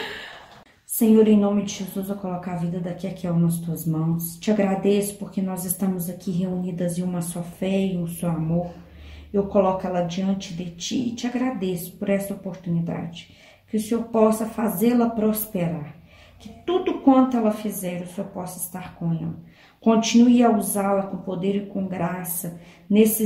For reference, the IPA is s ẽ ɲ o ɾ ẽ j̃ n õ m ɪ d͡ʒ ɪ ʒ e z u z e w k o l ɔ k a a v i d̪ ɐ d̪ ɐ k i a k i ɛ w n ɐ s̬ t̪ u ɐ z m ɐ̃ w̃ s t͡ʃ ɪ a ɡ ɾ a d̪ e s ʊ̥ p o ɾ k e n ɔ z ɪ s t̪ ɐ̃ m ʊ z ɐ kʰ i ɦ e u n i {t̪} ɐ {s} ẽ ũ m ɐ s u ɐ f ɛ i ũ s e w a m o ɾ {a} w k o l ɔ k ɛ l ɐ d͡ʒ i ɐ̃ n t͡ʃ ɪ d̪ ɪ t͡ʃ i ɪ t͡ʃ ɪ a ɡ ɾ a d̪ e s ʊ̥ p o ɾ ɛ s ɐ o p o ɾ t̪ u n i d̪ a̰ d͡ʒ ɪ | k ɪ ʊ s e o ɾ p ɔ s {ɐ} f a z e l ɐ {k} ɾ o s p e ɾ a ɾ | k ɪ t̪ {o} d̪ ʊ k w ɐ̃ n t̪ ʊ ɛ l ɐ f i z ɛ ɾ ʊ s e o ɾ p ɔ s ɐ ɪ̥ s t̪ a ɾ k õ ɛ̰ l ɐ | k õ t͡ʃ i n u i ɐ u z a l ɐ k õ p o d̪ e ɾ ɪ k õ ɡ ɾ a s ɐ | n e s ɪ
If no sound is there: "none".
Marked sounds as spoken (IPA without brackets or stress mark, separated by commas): d̪, z, e, ɐ, p, u